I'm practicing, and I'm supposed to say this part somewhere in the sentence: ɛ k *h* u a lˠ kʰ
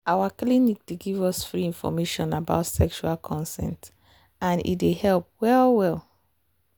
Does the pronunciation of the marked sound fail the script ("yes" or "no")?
yes